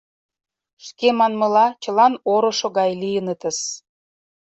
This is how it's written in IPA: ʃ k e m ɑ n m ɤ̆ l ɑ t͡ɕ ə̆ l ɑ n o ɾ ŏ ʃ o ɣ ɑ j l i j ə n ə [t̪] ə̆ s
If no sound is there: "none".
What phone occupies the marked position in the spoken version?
t̪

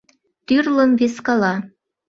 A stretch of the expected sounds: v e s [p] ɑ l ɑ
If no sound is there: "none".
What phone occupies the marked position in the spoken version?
k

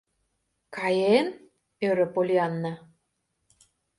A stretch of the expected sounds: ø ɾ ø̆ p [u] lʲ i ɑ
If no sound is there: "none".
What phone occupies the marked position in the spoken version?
o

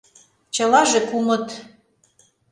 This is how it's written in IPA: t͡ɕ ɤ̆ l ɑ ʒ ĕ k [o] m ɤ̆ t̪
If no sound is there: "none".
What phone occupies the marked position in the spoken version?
u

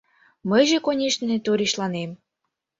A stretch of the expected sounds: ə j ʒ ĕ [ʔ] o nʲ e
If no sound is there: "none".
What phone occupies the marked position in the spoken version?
k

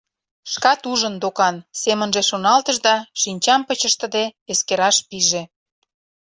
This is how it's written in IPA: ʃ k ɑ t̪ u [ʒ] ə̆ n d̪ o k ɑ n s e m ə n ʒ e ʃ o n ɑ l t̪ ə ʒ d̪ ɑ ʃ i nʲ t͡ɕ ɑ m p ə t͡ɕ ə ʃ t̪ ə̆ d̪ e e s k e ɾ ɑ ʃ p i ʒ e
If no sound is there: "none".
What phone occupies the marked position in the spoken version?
ʒ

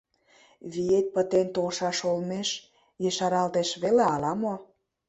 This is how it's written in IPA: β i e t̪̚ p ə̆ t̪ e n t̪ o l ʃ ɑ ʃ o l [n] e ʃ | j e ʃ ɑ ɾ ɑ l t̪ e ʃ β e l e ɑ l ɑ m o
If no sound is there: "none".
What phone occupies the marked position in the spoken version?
m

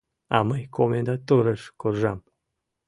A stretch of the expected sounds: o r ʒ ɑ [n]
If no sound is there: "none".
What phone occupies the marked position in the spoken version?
m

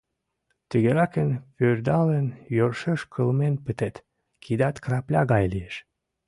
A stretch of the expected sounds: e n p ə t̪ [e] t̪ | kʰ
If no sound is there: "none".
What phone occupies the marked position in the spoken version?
e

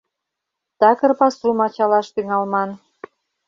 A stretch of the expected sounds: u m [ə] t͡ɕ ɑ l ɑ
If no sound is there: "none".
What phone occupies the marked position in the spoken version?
ɑ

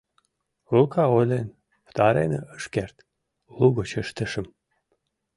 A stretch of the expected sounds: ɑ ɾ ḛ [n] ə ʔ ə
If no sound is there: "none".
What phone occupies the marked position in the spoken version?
n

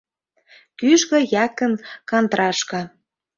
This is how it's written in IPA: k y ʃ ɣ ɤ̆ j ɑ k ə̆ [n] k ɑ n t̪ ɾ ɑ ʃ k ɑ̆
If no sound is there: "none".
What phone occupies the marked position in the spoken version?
n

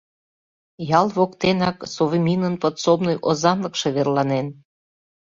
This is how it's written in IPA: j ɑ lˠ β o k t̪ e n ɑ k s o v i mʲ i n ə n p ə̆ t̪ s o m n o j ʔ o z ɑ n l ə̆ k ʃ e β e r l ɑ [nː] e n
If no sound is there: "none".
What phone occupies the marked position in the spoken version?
n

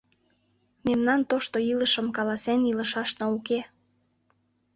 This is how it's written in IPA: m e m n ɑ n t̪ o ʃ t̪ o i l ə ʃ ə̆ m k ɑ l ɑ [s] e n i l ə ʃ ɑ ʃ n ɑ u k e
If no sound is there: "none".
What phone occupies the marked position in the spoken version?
s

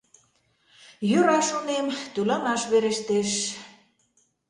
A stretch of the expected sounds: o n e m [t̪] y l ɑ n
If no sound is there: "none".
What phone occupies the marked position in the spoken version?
t̪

